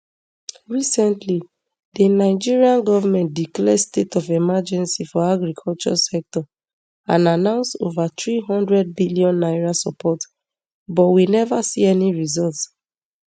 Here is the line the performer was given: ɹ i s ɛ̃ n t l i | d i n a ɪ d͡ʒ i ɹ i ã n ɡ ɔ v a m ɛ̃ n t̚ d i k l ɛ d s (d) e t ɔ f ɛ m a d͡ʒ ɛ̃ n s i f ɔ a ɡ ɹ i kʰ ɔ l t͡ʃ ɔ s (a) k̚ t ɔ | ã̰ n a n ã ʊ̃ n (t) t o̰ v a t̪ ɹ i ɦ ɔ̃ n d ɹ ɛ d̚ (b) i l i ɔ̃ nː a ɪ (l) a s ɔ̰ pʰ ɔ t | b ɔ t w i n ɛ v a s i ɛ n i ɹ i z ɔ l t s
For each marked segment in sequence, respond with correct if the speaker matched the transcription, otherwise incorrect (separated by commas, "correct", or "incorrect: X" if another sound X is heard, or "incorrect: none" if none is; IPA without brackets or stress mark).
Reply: incorrect: t, incorrect: ɛ, incorrect: s, correct, incorrect: ɹ